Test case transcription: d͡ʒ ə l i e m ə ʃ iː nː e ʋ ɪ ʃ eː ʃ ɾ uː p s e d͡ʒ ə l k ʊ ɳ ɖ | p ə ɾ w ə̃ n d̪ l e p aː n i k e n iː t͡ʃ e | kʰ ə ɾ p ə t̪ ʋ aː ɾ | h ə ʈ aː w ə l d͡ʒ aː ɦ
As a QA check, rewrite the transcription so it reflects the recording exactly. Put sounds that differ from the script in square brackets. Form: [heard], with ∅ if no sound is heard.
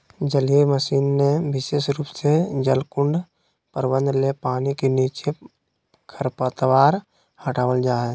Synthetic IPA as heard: d͡ʒ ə l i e m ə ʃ iː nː e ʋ ɪ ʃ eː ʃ ɾ uː p s e d͡ʒ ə l k ʊ ɳ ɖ | p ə ɾ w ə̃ n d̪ l e p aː n i k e n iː t͡ʃ e | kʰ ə ɾ p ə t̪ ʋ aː ɾ | h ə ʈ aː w ə l d͡ʒ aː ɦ